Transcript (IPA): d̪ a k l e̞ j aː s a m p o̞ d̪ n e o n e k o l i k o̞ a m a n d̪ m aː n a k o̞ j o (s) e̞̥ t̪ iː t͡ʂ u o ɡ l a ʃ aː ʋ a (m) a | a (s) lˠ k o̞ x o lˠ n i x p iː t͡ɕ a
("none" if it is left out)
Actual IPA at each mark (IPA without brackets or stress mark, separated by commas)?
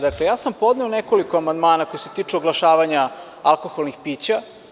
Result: s, ɲ, none